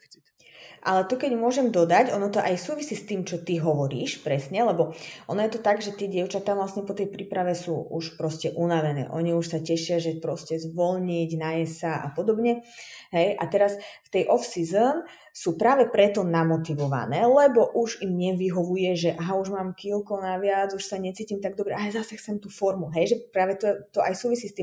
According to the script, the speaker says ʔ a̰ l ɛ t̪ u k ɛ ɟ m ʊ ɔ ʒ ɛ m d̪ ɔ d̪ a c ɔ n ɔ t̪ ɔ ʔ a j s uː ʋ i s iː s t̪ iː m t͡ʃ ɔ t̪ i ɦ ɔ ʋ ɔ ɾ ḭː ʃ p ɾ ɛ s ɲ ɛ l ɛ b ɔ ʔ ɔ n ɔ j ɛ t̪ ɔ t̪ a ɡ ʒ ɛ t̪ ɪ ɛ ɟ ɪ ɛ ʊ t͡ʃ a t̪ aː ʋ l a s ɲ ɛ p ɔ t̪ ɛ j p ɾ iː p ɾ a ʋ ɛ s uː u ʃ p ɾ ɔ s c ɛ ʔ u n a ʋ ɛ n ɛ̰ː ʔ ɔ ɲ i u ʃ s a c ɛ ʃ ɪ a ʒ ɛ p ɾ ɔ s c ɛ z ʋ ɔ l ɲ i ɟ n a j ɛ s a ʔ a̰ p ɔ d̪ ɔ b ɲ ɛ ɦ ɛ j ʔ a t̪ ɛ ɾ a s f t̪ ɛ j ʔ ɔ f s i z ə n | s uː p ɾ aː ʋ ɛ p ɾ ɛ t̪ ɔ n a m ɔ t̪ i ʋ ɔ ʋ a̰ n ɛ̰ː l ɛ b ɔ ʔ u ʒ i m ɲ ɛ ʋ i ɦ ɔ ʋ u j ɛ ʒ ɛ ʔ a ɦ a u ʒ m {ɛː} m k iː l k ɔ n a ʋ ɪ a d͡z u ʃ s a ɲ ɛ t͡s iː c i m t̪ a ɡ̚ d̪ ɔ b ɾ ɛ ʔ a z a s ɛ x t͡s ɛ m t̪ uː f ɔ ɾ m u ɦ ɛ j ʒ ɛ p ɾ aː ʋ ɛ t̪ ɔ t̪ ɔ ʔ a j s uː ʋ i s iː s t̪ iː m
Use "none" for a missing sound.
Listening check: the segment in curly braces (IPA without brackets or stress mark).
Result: aː